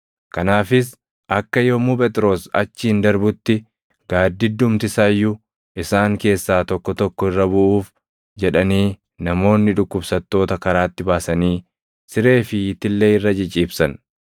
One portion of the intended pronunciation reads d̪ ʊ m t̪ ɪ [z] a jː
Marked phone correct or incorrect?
incorrect